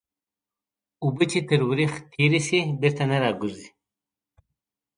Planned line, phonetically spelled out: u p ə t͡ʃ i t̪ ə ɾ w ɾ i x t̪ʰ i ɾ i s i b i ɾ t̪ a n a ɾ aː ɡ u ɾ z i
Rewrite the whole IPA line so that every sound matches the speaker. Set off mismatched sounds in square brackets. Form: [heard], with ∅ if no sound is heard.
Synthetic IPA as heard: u [b] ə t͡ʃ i t̪ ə ɾ w ɾ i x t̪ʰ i ɾ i s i b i ɾ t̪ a n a ɾ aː ɡ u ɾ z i